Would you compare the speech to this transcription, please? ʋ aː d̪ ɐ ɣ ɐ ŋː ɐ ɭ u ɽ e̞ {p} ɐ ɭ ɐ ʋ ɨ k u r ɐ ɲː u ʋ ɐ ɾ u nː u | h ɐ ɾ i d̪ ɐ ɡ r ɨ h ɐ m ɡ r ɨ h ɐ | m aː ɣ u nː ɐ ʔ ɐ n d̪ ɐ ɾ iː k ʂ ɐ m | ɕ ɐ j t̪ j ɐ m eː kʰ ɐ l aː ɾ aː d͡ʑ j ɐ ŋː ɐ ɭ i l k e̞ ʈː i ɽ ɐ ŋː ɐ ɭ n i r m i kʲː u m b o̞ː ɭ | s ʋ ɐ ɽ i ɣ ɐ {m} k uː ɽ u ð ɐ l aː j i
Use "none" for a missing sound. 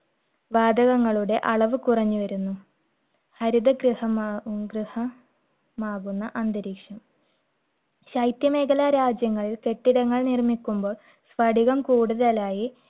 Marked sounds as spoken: ʔ, m

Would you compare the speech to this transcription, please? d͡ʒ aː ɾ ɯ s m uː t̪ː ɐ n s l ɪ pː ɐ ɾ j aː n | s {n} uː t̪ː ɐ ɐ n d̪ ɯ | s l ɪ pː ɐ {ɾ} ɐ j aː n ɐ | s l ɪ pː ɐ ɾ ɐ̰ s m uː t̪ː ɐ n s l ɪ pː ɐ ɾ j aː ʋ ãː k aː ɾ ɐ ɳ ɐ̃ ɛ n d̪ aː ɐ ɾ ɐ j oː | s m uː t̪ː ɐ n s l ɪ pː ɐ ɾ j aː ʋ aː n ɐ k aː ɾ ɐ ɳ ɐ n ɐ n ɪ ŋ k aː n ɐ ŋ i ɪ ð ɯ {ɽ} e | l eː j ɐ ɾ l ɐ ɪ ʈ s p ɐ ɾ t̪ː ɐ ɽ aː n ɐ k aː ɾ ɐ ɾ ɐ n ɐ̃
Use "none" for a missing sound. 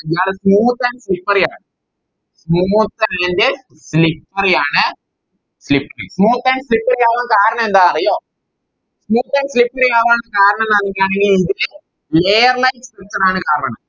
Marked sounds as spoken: m, ɾ, l

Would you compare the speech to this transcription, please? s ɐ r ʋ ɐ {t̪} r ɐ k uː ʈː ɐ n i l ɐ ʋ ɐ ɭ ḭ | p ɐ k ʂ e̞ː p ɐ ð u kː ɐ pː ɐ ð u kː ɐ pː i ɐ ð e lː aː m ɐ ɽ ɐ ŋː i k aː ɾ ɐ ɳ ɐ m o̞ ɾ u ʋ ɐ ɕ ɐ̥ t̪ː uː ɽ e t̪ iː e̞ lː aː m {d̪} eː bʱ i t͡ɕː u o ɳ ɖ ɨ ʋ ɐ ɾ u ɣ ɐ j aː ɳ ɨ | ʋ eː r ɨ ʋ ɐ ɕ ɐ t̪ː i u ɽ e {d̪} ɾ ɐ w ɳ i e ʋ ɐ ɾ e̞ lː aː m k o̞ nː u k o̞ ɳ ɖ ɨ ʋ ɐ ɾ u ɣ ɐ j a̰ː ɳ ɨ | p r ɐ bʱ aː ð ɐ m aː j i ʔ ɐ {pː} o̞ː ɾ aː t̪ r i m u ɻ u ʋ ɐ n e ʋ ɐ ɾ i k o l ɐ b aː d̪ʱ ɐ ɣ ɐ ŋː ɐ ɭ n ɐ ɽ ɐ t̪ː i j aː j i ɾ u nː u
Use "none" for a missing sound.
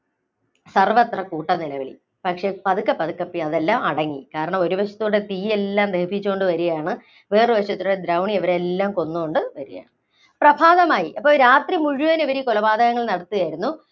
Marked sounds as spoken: t̪, d̪, d̪, pː

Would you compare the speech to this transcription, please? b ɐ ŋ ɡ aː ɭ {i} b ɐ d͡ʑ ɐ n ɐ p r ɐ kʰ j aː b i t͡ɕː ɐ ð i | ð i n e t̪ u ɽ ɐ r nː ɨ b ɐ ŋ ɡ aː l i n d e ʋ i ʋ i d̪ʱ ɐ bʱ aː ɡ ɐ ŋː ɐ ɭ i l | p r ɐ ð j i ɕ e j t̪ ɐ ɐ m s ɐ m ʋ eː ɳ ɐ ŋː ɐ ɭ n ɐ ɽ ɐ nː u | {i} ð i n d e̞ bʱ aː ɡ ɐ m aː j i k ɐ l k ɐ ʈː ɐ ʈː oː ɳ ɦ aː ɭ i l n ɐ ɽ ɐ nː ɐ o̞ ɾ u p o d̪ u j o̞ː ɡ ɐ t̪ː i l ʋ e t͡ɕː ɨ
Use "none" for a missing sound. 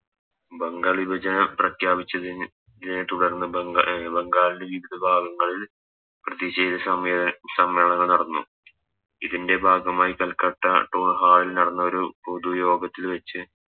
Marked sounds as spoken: i, i

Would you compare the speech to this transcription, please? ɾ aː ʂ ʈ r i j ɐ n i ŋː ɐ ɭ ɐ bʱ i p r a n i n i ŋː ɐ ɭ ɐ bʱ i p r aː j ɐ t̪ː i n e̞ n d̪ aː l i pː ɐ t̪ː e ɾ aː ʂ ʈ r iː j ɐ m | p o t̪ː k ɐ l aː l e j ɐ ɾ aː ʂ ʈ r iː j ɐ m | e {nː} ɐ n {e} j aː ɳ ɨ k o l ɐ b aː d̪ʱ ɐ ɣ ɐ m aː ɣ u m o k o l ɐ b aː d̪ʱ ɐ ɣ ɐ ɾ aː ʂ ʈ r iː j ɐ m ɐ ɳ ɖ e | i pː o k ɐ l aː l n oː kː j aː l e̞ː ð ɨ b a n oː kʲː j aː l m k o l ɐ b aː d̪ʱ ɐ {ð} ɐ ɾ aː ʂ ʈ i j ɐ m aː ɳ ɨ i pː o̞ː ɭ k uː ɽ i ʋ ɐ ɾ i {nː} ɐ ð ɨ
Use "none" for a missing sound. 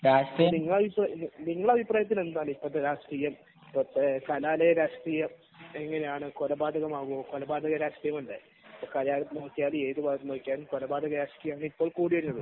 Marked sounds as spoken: ŋː, e, ɣ, nː

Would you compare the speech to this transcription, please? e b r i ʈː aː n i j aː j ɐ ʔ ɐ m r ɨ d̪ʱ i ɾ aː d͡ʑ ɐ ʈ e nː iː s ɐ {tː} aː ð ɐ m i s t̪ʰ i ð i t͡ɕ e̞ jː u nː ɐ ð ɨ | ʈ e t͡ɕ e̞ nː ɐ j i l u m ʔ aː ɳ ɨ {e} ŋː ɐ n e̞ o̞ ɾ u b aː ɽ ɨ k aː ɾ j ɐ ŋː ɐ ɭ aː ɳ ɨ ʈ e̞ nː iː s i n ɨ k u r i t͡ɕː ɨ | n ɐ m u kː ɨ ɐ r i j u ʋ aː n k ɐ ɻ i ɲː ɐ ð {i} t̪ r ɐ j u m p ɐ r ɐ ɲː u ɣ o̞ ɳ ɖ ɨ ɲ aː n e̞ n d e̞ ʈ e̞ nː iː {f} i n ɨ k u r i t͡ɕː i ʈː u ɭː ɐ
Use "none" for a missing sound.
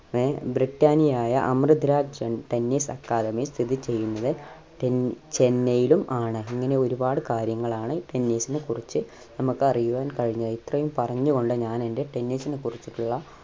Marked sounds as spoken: kː, i, i, s

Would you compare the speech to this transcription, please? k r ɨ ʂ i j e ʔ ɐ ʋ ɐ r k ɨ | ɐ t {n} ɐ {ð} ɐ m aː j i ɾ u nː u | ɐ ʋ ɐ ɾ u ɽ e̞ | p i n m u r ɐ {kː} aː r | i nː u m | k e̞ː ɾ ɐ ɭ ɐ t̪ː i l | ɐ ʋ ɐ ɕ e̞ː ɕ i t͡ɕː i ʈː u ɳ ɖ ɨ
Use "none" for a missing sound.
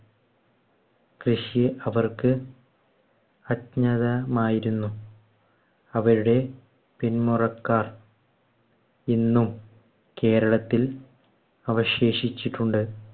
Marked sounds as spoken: ɲ, ð, kː

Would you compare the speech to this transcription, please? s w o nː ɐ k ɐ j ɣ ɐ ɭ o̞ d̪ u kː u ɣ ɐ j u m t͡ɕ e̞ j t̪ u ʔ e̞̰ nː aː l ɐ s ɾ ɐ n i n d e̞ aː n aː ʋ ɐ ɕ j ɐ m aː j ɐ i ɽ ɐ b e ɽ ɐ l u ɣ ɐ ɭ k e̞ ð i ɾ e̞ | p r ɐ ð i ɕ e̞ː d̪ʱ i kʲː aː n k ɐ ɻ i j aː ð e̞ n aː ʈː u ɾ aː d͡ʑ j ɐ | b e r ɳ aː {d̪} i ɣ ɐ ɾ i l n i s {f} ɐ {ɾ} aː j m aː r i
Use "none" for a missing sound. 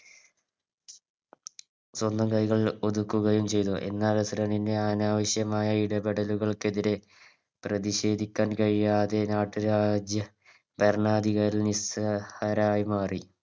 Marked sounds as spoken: d̪, h, ɾ

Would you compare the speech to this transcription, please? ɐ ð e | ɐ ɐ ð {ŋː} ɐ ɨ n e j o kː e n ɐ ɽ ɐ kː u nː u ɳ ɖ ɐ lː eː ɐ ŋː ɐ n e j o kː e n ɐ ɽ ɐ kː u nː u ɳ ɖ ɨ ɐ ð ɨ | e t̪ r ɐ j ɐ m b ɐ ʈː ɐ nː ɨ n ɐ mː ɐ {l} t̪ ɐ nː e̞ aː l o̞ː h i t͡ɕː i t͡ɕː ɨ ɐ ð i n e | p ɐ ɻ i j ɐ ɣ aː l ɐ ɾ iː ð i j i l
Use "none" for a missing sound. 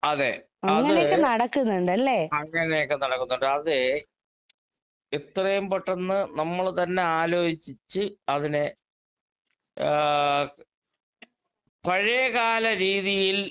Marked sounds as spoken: ŋː, ɭ

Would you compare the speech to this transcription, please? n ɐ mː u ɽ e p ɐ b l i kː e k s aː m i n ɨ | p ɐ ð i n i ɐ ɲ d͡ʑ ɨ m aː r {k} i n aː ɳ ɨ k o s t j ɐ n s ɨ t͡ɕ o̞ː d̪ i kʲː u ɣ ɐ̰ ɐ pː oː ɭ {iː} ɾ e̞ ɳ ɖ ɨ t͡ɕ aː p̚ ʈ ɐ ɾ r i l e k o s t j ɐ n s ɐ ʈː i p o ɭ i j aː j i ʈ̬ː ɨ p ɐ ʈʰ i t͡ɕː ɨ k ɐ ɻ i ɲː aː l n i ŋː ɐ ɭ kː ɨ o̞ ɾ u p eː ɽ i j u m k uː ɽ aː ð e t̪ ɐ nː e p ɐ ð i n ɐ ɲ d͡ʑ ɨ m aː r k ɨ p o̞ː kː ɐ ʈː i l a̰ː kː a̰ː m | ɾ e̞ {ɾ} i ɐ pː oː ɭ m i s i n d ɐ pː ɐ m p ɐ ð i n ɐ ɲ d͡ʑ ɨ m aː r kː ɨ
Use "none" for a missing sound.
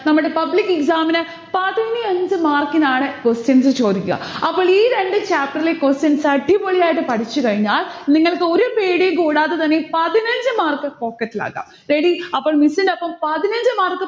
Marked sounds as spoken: k, iː, ɽ

